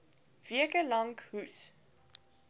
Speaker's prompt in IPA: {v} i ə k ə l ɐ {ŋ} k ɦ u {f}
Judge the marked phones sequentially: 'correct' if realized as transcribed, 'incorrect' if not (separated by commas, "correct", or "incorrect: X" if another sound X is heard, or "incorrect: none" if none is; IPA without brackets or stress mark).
correct, correct, incorrect: s